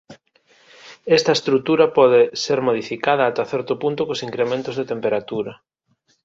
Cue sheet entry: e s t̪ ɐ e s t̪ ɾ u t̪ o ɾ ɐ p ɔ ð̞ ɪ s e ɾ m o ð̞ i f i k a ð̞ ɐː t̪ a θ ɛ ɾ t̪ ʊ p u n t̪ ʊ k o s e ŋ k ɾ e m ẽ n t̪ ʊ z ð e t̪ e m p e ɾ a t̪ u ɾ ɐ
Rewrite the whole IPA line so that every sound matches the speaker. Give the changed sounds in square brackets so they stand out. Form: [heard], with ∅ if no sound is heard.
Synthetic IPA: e s t̪ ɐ e s t̪ ɾ u t̪ [u] ɾ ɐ p ɔ ð̞ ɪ s e ɾ m o ð̞ i f i k a ð̞ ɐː t̪ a θ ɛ ɾ t̪ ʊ p u n t̪ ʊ k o s [i] ŋ k ɾ e m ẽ n t̪ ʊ z ð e t̪ e m p e ɾ a t̪ u ɾ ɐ